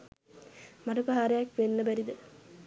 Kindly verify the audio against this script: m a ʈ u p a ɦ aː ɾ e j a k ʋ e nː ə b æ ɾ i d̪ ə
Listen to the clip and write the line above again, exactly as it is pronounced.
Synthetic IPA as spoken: m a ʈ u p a ɦ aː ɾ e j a k ʋ e nː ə b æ ɾ i d̪ ə